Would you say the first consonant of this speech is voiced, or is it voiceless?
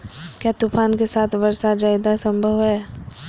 voiceless